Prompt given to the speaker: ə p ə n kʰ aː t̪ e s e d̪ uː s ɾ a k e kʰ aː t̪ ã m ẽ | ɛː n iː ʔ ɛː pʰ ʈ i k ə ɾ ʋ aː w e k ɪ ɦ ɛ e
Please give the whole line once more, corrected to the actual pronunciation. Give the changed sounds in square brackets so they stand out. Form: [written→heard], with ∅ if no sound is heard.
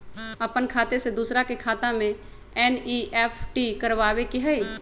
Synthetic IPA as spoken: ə p ə n kʰ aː t̪ e s e d̪ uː s ɾ a k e kʰ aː t̪ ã m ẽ | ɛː n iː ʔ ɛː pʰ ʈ i k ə ɾ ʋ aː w e k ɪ ɦ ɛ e